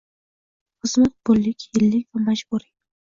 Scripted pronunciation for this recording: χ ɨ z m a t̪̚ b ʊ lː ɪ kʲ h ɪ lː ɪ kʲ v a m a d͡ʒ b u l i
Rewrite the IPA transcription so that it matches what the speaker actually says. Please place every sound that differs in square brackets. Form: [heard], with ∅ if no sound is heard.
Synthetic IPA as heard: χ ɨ z m a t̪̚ b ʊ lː ɪ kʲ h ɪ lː ɪ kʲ v a m a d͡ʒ b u [ɾ] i